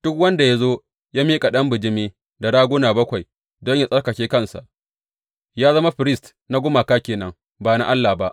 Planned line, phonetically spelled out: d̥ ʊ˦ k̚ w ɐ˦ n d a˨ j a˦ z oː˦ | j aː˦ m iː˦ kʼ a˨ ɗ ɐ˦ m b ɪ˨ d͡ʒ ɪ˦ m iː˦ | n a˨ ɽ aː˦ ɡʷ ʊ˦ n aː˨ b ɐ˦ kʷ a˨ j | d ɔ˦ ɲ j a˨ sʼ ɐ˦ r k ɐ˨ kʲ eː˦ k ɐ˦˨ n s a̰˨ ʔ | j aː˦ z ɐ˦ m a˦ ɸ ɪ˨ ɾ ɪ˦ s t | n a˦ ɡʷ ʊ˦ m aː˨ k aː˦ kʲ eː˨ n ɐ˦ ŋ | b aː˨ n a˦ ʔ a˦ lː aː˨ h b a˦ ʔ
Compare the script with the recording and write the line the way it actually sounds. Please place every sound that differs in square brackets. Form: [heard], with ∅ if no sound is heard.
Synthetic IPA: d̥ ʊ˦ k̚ w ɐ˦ n d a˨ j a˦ z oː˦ | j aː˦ m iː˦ kʼ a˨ ɗ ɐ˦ m b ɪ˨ d͡ʒ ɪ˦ m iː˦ | [d] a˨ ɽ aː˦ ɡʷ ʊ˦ n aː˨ b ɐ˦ kʷ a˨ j | d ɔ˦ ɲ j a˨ sʼ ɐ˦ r k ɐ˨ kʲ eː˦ k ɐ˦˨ n s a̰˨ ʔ | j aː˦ z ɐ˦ m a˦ ɸ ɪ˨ ɾ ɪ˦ s t | n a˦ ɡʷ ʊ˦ m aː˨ k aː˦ kʲ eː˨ n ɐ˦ ŋ | b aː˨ n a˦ ʔ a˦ lː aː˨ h b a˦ ʔ